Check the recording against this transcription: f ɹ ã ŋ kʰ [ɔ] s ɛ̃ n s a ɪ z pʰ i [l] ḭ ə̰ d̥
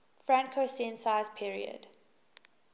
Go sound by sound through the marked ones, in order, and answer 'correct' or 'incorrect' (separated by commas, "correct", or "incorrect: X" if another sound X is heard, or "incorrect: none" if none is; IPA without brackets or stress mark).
incorrect: o, incorrect: ɹ